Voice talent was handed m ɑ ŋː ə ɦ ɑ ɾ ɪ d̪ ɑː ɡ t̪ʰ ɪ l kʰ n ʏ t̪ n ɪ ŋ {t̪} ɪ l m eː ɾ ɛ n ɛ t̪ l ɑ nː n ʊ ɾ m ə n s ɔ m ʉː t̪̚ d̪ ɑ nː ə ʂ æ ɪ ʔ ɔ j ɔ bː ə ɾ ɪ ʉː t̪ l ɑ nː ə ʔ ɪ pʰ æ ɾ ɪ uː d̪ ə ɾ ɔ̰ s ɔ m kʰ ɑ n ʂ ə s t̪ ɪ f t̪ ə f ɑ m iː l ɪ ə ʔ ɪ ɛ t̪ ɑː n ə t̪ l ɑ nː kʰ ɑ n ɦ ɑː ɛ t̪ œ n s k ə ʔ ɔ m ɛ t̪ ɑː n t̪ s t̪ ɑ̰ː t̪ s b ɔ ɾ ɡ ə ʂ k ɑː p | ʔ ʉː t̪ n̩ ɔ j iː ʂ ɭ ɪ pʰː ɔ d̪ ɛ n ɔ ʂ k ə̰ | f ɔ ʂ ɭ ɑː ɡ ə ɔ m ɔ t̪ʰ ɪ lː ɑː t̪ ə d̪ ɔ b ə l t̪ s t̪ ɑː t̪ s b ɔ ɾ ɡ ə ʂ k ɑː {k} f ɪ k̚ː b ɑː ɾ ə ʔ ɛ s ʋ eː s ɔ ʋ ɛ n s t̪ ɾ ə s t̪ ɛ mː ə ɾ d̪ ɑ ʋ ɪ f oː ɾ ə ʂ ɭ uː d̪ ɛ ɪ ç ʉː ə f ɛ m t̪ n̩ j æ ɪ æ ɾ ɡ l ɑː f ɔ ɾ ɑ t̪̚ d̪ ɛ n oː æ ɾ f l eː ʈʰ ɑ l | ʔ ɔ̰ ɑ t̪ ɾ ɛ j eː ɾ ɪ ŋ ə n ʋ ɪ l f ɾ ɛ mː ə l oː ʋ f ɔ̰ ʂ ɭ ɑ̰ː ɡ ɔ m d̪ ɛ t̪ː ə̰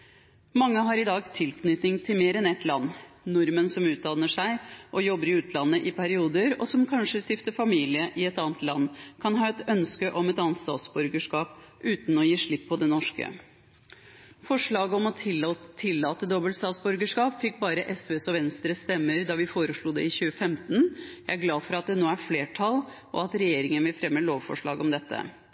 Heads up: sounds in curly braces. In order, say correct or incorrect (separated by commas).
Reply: incorrect, incorrect